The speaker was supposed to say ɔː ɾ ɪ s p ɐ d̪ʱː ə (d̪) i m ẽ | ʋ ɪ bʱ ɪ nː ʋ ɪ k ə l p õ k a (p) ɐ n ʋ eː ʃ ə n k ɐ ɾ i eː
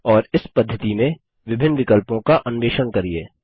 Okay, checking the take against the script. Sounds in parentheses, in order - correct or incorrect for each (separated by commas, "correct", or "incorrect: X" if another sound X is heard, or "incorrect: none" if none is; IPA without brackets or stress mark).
incorrect: t̪, incorrect: ʔ